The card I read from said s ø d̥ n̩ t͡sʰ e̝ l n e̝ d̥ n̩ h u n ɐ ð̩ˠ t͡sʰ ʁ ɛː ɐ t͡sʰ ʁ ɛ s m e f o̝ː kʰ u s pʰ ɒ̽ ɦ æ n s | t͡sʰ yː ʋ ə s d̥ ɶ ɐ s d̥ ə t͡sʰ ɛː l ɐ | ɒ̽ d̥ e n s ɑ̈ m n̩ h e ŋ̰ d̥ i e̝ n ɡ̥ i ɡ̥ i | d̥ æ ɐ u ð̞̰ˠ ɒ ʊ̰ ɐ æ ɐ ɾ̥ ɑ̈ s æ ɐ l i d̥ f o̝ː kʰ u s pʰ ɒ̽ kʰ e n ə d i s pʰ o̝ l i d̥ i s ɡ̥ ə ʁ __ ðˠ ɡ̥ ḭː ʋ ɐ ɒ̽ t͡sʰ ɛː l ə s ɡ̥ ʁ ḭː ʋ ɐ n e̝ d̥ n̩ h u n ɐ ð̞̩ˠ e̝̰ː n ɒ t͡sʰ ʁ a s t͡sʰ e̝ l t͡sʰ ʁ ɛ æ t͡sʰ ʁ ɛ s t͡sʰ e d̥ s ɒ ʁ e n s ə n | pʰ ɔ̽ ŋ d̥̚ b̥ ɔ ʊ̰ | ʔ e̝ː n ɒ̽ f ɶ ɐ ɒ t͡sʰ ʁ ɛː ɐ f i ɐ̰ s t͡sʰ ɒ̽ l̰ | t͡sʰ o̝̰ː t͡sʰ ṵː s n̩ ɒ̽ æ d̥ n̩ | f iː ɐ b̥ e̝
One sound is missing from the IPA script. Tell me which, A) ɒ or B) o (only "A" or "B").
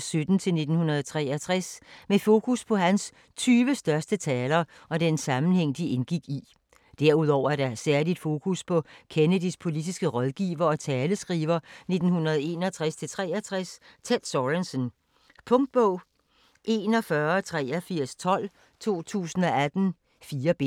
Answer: A